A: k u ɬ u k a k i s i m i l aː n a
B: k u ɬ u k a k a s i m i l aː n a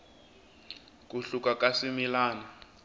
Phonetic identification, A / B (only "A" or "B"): B